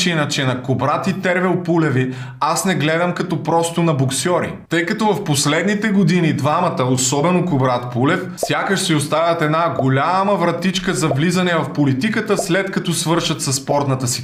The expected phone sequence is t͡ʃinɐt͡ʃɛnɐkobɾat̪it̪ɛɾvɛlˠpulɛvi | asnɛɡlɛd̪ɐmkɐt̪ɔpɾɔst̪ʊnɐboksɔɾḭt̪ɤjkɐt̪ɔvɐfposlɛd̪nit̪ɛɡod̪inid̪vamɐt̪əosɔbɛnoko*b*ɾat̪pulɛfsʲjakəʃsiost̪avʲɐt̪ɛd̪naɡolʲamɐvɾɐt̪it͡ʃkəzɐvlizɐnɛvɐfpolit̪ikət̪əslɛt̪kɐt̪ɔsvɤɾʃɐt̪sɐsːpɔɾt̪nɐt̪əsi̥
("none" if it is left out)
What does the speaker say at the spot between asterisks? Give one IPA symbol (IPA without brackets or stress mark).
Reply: b